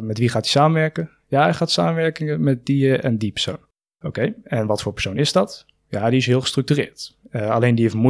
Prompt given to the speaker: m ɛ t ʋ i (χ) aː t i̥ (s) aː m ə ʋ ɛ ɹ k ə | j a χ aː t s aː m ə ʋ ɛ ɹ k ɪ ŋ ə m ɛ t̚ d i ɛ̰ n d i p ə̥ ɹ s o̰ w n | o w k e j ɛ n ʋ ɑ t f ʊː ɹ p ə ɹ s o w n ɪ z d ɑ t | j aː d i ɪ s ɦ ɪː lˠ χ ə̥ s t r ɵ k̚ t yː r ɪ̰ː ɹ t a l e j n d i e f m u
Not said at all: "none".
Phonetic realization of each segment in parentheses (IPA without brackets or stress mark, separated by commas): χ, s